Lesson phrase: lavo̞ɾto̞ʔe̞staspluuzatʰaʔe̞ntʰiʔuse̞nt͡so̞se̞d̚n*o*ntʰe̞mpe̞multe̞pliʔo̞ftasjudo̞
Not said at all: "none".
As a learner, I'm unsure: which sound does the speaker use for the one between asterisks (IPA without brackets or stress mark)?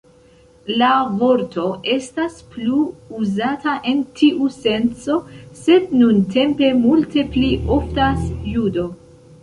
u